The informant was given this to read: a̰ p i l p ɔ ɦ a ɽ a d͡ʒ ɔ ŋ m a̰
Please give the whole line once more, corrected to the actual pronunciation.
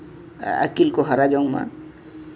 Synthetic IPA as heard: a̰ k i l k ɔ ɦ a ɾ a d͡ʒ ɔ ŋ m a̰